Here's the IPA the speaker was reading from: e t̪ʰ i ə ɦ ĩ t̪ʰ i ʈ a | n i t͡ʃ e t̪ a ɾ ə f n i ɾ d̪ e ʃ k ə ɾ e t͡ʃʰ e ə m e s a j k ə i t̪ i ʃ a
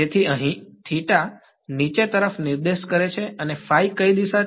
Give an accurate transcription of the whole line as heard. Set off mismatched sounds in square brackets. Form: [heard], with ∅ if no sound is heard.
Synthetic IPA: e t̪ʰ i ə ɦ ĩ t̪ʰ i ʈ a | n i t͡ʃ e t̪ [ə] ɾ ə f n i ɾ d̪ e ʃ k ə ɾ e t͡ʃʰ e ə [n] e [f] a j k ə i [d̪] i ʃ a